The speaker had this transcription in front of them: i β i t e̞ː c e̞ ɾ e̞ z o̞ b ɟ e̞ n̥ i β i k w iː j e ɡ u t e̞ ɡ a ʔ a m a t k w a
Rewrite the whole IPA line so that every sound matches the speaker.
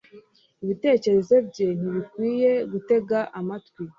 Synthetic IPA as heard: i β i t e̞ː c e̞ ɾ e̞ z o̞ b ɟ e̞ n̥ i β i k w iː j e ɡ u t e̞ ɡ a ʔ a m a t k w i

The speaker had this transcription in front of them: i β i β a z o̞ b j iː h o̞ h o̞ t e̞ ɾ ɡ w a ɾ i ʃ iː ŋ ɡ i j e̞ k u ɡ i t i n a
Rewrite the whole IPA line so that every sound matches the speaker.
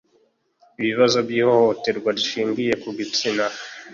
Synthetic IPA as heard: i β i β a z o̞ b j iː h o̞ h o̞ t e̞ ɾ ɡ w a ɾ i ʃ iː ŋ ɡ i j e̞ k u ɡ i t͡s i n a

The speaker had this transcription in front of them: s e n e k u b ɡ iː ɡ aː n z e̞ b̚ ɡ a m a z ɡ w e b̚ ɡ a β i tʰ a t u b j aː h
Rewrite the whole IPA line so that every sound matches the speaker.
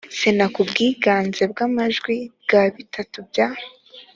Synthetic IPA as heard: s e n a k u b ɡ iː ɡ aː n z e̞ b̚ ɡ a m a ʒ ɡ w i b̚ ɡ a β i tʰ a t u b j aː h

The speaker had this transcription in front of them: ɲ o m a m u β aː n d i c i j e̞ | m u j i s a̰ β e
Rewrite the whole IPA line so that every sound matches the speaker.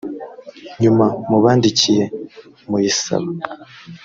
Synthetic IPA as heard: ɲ u m a m u β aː n d i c i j e̞ | m u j i s a̰ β a

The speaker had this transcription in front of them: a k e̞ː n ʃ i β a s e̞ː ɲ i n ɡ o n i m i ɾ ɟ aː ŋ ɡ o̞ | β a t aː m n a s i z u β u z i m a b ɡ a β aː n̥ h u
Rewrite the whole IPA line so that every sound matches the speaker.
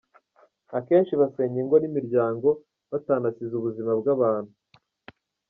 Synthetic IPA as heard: a k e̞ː n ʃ i β a s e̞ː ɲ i ŋ ɡ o n i m i ɾ ɟ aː ŋ ɡ o̞ | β a t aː n a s i z u β u z i m a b ɡ a β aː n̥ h u

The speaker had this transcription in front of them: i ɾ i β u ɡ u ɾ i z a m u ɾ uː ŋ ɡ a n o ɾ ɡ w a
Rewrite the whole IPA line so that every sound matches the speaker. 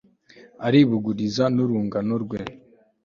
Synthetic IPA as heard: a ɾ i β u ɡ u ɾ i z a n u ɾ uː ŋ ɡ a n o ɾ ɡ w e

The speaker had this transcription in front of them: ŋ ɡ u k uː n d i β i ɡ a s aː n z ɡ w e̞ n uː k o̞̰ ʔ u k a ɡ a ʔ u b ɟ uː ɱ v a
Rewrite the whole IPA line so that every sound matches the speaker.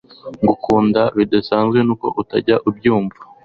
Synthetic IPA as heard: ŋ ɡ u k uː n d a β i d a s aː n z ɡ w e̞ n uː k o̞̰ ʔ u t a ɟ a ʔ u b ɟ uː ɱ v a

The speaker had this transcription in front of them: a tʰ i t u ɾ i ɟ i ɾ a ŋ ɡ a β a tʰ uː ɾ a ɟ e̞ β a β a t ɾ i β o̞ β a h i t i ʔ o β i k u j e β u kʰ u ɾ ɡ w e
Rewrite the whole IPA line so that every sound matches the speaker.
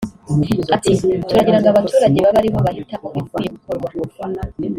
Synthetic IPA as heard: a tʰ i t u ɾ a ɟ i ɾ a ŋ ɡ a β a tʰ uː ɾ a ɟ e̞ β a β a ɾ i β o̞ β a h i t a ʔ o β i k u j e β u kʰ o ɾ ɡ w a

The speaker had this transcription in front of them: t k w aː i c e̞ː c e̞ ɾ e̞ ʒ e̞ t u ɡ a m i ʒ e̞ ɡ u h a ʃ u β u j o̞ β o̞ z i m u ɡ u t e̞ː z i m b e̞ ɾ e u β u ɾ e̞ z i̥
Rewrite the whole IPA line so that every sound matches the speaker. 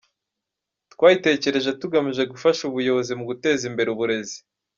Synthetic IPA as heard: t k w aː i t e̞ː c e̞ ɾ e̞ ʒ e̞ t u ɡ a m i ʒ e̞ ɡ u f a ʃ u β u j o̞ β o̞ z i m u ɡ u t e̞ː z i m b e̞ ɾ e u β u ɾ e̞ z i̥

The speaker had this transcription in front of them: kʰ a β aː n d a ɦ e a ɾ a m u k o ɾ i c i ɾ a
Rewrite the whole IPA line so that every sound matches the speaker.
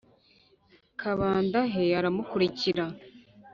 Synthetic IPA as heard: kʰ a β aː n d a ɦ e a ɾ a m u k u ɾ i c i ɾ a

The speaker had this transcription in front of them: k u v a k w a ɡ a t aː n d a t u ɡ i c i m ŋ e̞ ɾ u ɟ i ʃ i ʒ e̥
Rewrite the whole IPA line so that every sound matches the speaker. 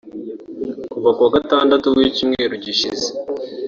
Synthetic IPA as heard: k u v a k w a ɡ a t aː n d a t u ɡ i c i m ŋ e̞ ɾ u ɟ i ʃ i z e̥

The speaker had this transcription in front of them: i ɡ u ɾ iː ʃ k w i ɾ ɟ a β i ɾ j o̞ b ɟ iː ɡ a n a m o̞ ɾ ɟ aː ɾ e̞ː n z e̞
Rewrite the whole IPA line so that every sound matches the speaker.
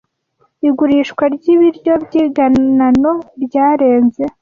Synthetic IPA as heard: i ɡ u ɾ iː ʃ k w a ɾ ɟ i β i ɾ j o̞ b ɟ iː ɡ a n a n o̞ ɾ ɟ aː ɾ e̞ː n z e̞

